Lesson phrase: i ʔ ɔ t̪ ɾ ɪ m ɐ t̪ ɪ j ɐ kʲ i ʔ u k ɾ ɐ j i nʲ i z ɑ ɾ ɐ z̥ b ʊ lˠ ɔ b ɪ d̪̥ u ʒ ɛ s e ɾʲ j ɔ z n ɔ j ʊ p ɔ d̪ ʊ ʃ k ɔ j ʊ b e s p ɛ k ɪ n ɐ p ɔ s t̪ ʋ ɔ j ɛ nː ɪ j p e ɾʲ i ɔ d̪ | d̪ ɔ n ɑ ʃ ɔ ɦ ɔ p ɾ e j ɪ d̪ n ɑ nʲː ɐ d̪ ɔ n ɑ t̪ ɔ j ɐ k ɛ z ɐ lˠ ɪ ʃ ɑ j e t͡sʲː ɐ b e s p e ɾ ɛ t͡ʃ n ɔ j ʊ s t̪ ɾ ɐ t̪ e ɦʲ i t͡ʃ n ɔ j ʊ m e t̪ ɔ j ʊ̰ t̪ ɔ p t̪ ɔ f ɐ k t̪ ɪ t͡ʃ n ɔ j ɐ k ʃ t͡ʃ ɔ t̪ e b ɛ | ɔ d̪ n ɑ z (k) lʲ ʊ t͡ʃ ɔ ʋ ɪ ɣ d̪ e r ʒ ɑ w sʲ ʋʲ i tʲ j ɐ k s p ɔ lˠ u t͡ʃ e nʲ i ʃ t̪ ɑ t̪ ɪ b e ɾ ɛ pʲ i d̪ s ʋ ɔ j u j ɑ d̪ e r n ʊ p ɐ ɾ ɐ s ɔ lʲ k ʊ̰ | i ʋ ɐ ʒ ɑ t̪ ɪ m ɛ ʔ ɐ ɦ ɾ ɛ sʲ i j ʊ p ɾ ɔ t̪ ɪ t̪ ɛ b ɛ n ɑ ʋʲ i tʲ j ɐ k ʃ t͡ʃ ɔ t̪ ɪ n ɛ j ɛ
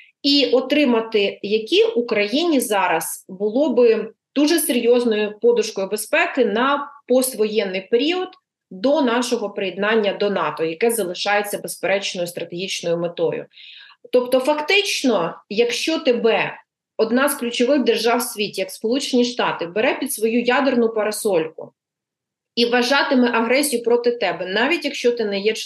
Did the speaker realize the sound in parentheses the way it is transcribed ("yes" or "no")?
yes